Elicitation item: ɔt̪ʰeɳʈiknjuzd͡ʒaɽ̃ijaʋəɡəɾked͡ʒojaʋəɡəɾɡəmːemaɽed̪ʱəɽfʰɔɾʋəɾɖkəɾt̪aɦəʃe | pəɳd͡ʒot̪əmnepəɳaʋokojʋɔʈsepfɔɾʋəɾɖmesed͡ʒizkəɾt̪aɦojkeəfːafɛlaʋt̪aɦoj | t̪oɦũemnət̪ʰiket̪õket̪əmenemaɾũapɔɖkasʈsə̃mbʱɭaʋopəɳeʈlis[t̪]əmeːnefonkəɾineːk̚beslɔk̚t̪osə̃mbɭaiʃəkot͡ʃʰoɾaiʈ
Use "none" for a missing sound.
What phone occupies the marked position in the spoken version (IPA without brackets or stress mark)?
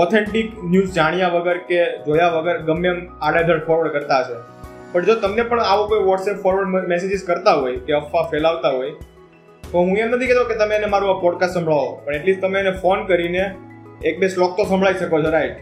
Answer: t̪